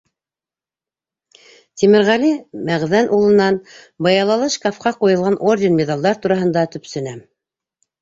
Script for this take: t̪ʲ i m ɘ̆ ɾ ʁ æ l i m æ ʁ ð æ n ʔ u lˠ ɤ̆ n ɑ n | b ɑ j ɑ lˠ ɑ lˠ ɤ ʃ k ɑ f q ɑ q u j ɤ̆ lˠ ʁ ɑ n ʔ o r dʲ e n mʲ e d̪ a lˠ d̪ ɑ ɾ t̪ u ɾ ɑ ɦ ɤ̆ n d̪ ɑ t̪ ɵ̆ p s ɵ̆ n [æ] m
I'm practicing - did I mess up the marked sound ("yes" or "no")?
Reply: no